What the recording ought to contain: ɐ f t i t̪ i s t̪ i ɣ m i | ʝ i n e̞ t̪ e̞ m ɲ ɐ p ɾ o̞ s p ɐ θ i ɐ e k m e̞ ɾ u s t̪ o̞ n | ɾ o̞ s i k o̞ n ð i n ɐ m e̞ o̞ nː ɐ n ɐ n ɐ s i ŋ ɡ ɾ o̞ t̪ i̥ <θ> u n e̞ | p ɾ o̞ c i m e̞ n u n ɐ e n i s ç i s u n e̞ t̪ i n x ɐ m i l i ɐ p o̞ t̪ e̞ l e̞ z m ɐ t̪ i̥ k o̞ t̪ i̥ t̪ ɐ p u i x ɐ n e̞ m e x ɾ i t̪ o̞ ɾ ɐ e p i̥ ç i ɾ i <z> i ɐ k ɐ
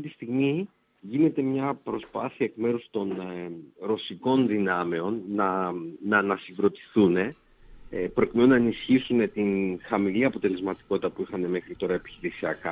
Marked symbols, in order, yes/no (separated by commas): yes, no